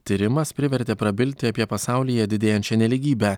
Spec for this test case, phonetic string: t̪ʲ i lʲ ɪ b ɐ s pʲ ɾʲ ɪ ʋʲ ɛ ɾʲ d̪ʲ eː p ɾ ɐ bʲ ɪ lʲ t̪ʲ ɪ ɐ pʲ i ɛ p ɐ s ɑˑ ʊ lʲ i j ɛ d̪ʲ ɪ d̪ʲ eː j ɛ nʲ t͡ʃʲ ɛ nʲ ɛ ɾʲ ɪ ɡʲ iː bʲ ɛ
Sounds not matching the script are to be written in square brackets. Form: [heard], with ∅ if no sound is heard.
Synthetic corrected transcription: t̪ʲ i [ɾʲ] ɪ [m] ɐ s pʲ ɾʲ ɪ ʋʲ ɛ ɾʲ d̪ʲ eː p ɾ ɐ bʲ ɪ lʲ t̪ʲ ɪ ɐ pʲ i ɛ p ɐ s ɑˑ ʊ lʲ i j ɛ d̪ʲ ɪ d̪ʲ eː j ɛ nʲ t͡ʃʲ ɛ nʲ ɛ [lʲ] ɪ ɡʲ iː bʲ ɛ